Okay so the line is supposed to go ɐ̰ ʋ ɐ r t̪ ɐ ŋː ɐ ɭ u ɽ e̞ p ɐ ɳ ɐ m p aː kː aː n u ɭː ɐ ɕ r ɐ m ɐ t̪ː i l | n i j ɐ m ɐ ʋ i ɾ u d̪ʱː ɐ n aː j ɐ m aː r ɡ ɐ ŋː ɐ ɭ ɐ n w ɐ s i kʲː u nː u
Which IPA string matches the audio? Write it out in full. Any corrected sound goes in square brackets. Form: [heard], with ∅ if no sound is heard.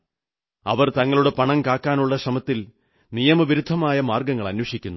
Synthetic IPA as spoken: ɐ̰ ʋ ɐ r t̪ ɐ ŋː ɐ ɭ u ɽ e̞ p ɐ ɳ ɐ m [k] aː kː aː n u ɭː ɐ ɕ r ɐ m ɐ t̪ː i l | n i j ɐ m ɐ ʋ i ɾ u d̪ʱː ɐ [m] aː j ɐ m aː r ɡ ɐ ŋː ɐ ɭ ɐ n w ɐ [ʂ] i kʲː u nː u

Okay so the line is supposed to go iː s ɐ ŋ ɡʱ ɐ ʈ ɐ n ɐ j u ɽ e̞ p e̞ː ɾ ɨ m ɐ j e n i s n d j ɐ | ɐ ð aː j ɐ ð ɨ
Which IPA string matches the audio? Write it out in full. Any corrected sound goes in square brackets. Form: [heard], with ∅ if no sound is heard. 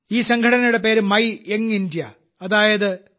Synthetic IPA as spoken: iː s ɐ ŋ ɡʱ ɐ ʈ ɐ n ɐ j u ɽ e̞ p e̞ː ɾ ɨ m ɐ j e [ŋ] i [∅] n d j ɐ | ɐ ð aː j ɐ ð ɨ

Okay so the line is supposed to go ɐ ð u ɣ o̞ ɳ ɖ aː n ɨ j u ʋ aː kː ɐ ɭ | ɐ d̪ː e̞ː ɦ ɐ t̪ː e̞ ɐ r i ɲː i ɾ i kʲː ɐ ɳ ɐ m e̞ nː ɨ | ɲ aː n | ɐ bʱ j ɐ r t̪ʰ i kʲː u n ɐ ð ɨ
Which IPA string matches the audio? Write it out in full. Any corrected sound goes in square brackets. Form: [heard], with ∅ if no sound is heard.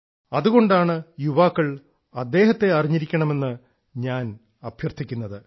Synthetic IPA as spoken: ɐ ð u ɣ o̞ ɳ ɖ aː [ɳ] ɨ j u ʋ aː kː ɐ ɭ | ɐ d̪ː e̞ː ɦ ɐ t̪ː e̞ ɐ r i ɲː i ɾ i kʲː ɐ ɳ ɐ m e̞ nː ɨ | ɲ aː n | ɐ bʱ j ɐ r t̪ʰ i kʲː u [nː] ɐ ð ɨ

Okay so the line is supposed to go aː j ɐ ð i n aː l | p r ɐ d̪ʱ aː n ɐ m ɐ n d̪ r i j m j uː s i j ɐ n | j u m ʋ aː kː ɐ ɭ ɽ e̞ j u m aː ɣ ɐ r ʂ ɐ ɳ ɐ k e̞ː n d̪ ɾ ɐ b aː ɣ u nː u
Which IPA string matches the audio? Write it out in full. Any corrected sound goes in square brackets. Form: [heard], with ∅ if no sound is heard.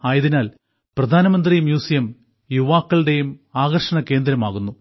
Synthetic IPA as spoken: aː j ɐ ð i n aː l | p r ɐ d̪ʱ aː n ɐ m ɐ n d̪ r i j m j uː s i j ɐ [m] | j u [∅] ʋ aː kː ɐ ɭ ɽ e̞ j u m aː ɣ ɐ r ʂ ɐ ɳ ɐ k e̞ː n d̪ ɾ ɐ [m] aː ɣ u nː u

